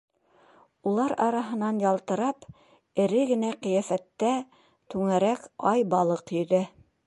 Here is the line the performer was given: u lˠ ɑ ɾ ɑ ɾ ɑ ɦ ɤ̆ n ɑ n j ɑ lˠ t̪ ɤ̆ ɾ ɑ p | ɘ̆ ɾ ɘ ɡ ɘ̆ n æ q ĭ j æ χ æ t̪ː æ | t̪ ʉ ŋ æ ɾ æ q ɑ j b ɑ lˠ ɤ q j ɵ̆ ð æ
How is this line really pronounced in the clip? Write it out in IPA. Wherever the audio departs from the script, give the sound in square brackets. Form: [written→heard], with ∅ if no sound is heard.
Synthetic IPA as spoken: u lˠ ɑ ɾ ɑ ɾ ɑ ɦ ɤ̆ n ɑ n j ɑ lˠ t̪ ɤ̆ ɾ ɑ p | ɘ̆ ɾ ɘ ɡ ɘ̆ n æ q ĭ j æ [χ→f] æ t̪ː æ | t̪ ʉ ŋ æ ɾ æ [q→k] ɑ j b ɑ lˠ ɤ q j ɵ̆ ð æ